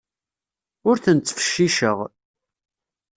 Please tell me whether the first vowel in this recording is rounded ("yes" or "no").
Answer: yes